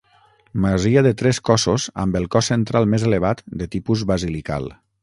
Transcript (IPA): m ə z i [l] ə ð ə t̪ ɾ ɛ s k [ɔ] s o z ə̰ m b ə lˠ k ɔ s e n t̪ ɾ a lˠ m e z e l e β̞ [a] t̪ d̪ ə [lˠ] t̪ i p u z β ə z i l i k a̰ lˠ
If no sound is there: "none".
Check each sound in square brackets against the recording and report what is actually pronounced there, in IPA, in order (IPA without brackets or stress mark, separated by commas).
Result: none, ɔ, a, none